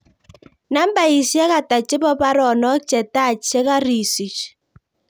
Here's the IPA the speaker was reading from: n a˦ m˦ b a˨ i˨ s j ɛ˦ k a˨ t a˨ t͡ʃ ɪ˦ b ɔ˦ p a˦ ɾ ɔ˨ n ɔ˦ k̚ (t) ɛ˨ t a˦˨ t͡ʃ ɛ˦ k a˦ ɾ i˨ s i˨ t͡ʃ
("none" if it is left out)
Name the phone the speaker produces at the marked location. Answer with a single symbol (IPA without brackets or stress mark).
t͡ʃ